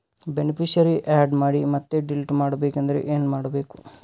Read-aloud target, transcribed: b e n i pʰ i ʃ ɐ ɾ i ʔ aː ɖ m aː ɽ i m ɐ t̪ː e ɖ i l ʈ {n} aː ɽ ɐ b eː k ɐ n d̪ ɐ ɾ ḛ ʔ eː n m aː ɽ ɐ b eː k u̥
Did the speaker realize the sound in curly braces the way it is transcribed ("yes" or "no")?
no